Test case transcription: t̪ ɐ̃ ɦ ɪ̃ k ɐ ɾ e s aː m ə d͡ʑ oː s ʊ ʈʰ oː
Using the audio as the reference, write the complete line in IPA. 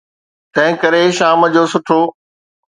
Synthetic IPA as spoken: t̪ ɐ̃ ɦ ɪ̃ k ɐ ɾ e ʃ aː m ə d͡ʑ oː s ʊ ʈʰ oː